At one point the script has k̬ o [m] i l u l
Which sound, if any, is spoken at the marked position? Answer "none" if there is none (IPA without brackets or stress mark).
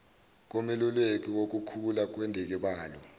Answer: m